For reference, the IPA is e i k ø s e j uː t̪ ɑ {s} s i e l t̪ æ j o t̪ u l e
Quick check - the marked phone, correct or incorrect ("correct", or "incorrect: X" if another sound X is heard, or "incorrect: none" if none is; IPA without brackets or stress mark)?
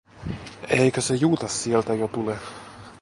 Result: correct